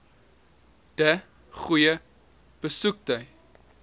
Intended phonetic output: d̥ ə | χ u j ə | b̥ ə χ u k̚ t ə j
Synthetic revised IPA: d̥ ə | χ u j ə | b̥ ə s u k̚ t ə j

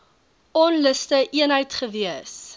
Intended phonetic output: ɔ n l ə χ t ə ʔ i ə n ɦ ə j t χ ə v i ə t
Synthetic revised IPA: ɔ n l ə s t ə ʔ i ə n ɦ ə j t χ ə v i ə s

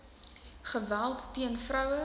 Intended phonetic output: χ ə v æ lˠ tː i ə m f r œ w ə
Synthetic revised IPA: χ ə v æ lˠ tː i ə n f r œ w ə

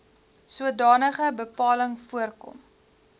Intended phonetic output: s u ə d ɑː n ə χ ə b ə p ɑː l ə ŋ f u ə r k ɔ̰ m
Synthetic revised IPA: s u ə d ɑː n ə χ ə b ə p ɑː l ə ŋ f u ə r k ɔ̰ m

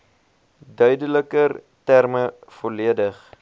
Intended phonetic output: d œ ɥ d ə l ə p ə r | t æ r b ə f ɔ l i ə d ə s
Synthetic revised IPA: d œ ɥ d ə l ə k ə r | t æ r m ə f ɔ l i ə d ə χ

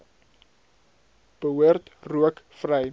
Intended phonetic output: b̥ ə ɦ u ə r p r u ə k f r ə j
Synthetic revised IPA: b̥ ə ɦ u ə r t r u ə k f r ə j

